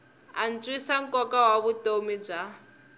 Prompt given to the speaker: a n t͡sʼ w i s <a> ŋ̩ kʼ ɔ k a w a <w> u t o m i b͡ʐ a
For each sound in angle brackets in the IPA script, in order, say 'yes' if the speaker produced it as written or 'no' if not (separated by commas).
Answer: yes, no